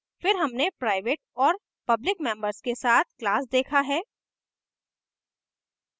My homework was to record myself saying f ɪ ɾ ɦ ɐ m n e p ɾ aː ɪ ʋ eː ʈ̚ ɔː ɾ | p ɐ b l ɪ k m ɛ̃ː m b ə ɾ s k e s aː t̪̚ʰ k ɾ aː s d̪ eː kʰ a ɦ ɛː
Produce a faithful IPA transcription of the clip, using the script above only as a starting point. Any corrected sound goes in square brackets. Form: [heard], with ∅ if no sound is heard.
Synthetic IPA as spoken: f ɪ ɾ ɦ ɐ m n e p ɾ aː ɪ ʋ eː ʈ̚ ɔː ɾ | p ɐ b l ɪ k m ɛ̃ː m b ə ɾ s k e s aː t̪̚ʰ k [l] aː s d̪ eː kʰ a ɦ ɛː